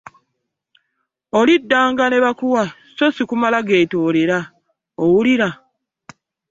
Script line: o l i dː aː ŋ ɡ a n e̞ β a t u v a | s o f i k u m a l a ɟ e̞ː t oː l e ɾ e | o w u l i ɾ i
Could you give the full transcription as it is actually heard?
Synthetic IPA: o l i dː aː ŋ ɡ a n e̞ β a k u w a | s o s i k u m a l a ɡ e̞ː t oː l e ɾ a | o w u l i ɾ a